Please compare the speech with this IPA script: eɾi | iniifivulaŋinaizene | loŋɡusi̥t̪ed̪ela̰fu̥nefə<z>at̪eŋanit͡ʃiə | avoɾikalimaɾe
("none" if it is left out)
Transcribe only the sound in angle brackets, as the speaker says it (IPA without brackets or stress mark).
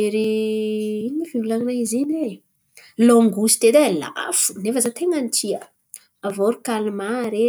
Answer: z